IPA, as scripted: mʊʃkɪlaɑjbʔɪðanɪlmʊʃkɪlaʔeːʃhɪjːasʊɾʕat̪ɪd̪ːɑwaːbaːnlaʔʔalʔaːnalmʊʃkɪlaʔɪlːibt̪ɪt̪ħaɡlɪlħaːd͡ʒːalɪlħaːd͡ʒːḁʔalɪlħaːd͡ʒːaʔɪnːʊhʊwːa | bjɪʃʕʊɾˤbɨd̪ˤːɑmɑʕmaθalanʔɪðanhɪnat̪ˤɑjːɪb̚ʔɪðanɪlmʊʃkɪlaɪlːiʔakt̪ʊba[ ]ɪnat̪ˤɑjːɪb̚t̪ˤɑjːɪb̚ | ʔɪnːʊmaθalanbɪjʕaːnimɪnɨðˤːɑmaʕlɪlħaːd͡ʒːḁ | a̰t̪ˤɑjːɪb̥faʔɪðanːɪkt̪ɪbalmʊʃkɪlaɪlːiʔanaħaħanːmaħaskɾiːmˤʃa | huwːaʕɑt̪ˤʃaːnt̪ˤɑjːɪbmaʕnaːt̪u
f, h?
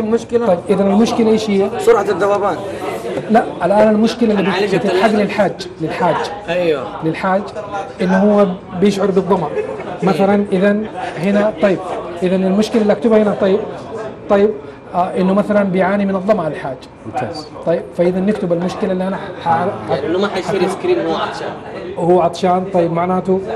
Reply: h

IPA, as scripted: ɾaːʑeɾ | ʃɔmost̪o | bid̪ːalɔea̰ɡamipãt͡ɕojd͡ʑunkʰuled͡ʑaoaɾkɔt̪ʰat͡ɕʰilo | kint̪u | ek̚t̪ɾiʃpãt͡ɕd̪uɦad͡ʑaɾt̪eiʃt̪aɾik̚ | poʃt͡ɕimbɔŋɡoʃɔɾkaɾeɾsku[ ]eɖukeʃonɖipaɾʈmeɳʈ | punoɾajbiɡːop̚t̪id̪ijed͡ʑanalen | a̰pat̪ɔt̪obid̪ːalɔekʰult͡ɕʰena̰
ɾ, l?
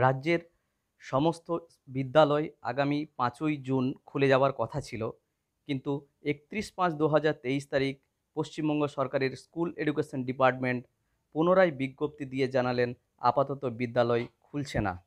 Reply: l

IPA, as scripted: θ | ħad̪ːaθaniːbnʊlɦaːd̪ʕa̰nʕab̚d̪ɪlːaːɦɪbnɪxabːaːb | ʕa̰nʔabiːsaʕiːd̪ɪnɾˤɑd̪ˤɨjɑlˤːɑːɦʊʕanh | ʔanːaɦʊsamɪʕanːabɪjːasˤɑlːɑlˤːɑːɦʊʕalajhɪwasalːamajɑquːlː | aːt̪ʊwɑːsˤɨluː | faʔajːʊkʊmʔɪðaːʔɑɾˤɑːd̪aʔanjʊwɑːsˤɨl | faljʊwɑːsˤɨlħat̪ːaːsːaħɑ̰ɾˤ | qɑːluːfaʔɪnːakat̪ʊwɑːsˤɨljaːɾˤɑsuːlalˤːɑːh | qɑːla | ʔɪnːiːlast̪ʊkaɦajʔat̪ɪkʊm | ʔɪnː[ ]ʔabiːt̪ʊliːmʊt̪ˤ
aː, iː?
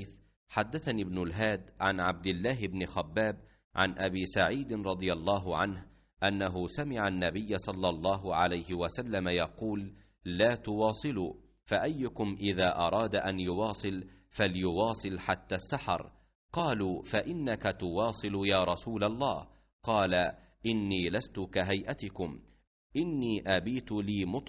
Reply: iː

